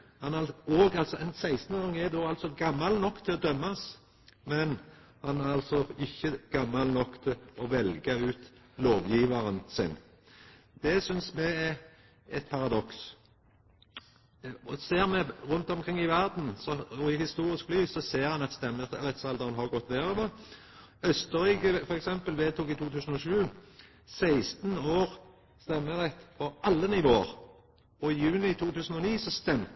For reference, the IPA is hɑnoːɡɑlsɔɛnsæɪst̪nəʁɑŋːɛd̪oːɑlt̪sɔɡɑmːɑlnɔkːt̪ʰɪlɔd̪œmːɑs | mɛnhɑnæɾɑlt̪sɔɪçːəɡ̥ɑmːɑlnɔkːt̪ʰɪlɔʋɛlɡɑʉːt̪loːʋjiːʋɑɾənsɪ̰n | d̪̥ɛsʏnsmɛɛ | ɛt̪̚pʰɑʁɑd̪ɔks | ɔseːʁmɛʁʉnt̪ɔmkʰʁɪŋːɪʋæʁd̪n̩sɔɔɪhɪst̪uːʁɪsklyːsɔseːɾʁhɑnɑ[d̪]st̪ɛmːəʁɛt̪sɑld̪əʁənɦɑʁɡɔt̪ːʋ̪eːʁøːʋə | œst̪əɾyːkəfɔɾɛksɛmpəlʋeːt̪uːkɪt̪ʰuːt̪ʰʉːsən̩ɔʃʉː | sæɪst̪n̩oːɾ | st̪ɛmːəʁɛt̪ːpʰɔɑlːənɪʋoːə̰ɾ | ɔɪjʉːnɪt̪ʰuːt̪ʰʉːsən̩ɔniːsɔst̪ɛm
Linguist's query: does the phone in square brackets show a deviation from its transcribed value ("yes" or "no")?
yes